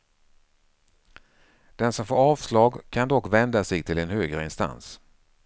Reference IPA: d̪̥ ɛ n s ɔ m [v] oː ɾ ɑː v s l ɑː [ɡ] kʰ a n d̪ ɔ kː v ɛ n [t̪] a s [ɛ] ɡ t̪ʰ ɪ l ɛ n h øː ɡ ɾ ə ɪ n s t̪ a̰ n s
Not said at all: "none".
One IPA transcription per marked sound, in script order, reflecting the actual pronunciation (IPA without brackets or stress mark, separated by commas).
f, ɡ, d̪, ɛ